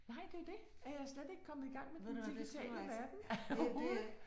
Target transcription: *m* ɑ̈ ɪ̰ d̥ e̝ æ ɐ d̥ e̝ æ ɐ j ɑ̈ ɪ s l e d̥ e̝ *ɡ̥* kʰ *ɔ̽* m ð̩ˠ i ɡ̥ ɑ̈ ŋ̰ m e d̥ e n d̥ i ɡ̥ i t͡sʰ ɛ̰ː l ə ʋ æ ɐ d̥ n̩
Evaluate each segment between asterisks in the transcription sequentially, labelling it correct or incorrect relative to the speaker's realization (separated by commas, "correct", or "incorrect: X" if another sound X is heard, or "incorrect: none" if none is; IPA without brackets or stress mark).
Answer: incorrect: n, correct, incorrect: ɒ̽